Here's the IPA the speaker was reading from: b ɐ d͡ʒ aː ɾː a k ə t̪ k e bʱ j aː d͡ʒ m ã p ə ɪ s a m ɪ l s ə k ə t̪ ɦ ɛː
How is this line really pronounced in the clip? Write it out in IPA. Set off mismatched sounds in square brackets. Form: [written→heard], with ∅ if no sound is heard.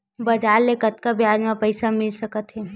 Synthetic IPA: b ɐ d͡ʒ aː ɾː [a→e] k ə t̪ k [e→a] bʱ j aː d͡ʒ m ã p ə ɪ s a m ɪ l s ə k ə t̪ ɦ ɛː